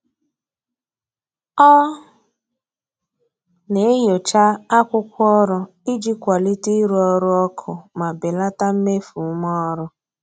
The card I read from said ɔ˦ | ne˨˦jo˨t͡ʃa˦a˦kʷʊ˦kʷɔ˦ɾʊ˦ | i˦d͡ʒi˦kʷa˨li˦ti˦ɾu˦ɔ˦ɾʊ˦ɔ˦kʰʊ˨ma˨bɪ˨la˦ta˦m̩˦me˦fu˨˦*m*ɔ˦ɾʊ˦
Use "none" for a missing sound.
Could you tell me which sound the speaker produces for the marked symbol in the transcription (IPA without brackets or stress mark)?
m